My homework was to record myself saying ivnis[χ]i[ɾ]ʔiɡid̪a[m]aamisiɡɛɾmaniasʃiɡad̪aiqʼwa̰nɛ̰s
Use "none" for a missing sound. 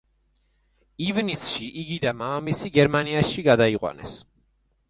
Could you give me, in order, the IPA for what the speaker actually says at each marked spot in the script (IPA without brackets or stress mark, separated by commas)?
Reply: ʃ, none, m